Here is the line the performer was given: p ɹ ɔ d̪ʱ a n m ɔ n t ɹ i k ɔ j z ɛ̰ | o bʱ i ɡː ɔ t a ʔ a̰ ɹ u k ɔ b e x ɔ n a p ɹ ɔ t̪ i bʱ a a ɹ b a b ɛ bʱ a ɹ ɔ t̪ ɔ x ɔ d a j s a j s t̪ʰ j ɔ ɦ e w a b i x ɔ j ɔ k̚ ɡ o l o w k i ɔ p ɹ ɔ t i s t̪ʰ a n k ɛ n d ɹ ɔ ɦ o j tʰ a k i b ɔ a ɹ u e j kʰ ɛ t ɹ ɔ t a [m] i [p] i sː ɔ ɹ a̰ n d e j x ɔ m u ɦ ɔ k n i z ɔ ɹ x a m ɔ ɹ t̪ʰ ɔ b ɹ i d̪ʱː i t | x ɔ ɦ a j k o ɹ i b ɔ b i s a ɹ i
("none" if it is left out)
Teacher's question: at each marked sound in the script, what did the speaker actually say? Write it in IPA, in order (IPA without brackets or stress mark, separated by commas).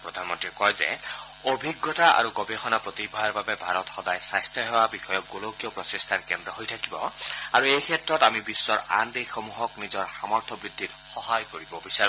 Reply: m, b